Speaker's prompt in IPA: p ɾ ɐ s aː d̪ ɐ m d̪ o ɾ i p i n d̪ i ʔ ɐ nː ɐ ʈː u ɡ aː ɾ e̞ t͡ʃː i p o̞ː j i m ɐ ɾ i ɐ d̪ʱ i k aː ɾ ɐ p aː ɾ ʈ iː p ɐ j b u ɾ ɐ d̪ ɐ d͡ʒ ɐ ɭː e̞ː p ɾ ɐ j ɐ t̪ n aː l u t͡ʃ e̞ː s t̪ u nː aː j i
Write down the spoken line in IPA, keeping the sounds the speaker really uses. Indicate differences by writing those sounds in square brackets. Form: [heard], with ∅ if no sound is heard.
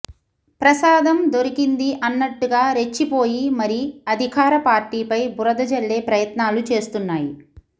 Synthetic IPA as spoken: p ɾ ɐ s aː d̪ ɐ m d̪ o ɾ i [k] i n d̪ i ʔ ɐ nː ɐ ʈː u ɡ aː ɾ e̞ t͡ʃː i p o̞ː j i m ɐ ɾ i ɐ d̪ʱ i k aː ɾ ɐ p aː ɾ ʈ iː p ɐ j b u ɾ ɐ d̪ ɐ d͡ʒ ɐ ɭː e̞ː p ɾ ɐ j ɐ t̪ n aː l u t͡ʃ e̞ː s t̪ u nː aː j i